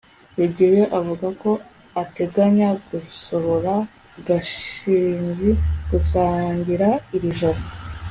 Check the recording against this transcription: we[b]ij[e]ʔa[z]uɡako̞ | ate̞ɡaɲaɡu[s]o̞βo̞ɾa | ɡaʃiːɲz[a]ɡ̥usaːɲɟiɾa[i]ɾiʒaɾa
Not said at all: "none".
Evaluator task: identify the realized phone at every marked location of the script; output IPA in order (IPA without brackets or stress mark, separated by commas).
ɟ, e, v, s, i, i